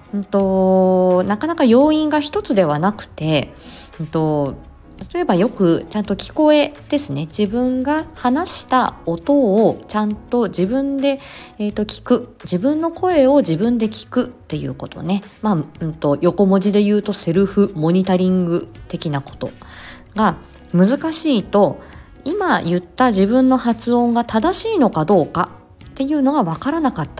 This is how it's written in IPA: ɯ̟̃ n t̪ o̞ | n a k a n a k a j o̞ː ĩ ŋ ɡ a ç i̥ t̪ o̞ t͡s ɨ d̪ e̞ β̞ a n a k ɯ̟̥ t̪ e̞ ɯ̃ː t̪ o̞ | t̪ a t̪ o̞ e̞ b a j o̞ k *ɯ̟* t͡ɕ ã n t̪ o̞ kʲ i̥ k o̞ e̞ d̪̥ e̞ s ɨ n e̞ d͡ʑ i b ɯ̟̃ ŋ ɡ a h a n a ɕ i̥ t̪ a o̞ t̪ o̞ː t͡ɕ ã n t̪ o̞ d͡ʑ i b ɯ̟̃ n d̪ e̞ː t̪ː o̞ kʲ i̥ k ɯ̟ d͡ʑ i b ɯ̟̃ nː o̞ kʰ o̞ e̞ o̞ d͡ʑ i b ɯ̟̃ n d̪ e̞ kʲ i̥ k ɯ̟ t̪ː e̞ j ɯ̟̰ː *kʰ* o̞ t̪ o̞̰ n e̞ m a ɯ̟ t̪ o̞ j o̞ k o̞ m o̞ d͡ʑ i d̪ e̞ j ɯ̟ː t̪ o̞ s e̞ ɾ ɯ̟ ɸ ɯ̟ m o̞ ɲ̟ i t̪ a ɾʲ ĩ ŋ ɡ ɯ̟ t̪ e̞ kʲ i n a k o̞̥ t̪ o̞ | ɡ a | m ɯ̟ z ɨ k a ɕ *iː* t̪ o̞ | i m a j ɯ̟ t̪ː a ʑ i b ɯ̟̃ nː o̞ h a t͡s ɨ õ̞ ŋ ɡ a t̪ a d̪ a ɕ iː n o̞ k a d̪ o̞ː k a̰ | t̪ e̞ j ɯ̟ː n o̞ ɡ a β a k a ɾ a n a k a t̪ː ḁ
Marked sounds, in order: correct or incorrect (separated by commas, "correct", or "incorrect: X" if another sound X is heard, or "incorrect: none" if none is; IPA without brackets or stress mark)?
correct, incorrect: k, correct